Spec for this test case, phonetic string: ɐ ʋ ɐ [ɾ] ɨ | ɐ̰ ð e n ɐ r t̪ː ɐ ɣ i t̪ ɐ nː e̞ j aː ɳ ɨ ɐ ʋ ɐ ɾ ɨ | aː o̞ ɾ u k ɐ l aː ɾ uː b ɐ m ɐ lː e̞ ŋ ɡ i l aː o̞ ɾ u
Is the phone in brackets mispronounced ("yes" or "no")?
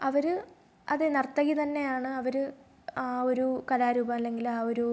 no